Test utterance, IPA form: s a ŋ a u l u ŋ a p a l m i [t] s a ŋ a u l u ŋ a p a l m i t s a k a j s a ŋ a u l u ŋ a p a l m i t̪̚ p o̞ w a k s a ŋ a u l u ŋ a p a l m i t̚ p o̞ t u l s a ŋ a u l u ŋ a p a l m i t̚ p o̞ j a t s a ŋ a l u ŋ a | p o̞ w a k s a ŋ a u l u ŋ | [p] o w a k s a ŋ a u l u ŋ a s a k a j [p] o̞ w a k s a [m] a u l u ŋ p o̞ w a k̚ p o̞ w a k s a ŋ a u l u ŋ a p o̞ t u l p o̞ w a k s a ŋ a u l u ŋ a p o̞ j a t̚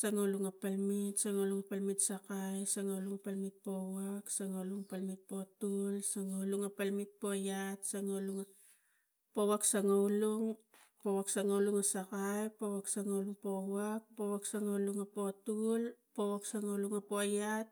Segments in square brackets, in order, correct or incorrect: correct, correct, correct, incorrect

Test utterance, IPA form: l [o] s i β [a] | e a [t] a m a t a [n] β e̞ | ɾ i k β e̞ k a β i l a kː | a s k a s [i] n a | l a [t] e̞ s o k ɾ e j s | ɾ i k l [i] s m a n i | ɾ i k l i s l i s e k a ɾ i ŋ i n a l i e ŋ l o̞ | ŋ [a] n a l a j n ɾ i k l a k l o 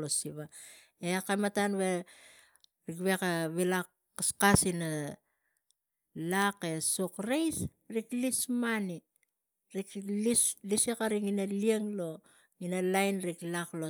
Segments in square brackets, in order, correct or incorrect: correct, correct, incorrect, correct, correct, incorrect, correct, incorrect

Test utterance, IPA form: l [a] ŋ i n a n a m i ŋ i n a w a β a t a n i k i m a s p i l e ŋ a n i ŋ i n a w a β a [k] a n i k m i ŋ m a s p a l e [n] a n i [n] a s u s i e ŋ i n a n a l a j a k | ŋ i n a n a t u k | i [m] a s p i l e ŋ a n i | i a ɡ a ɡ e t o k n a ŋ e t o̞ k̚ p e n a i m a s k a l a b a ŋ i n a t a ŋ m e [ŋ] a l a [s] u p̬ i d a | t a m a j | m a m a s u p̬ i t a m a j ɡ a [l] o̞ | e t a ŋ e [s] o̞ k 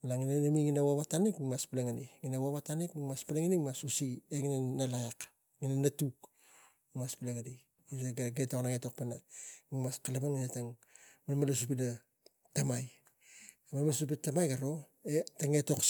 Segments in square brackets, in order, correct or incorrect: correct, incorrect, incorrect, incorrect, correct, incorrect, correct, incorrect, incorrect

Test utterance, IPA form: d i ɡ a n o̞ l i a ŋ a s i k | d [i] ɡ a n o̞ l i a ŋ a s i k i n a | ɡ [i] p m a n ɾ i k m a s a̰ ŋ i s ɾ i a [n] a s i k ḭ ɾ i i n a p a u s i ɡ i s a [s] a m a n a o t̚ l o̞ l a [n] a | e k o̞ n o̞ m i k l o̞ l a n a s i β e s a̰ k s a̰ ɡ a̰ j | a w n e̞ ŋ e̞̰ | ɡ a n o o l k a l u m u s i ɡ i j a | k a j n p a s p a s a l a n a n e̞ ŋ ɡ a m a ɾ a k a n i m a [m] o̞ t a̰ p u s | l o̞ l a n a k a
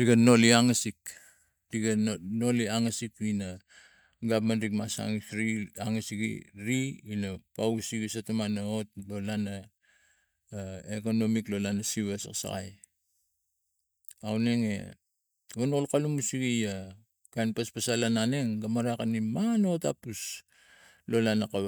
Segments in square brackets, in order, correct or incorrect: correct, incorrect, incorrect, incorrect, correct, incorrect

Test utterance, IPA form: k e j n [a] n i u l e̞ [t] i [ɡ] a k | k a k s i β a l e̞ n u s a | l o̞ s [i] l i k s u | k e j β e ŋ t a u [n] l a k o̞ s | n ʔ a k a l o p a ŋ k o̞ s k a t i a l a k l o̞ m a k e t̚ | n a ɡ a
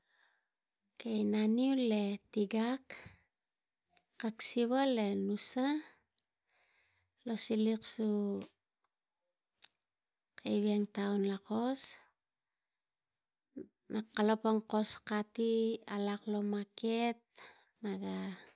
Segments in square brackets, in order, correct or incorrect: correct, correct, correct, correct, correct

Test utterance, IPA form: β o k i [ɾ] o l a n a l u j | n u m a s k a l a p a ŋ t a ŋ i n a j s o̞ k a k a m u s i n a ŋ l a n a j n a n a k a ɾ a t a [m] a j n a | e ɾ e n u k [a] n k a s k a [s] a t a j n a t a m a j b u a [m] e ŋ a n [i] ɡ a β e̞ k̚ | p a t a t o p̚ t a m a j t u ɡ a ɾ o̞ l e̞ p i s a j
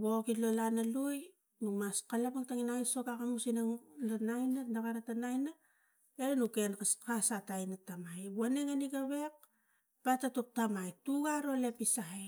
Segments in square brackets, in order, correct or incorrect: incorrect, incorrect, incorrect, correct, incorrect, correct

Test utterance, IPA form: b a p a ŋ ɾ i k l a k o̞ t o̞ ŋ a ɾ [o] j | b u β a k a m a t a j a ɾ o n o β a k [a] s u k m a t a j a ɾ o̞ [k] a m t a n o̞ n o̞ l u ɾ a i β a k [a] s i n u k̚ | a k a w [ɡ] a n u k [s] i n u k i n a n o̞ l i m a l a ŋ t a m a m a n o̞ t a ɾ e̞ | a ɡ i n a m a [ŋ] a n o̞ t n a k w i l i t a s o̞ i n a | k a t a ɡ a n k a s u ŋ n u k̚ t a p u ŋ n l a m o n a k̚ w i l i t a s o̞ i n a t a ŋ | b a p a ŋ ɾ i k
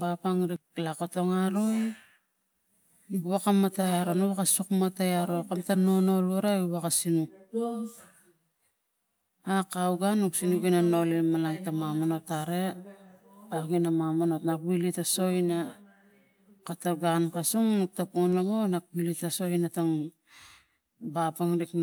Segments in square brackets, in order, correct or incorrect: correct, correct, correct, correct, correct, correct, incorrect

